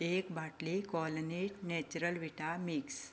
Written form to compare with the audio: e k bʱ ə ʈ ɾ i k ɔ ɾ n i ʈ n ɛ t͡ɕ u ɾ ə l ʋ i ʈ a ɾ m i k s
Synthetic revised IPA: e k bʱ a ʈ l i k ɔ l n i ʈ n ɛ t͡ɕ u ɾ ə l ʋ i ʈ a m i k s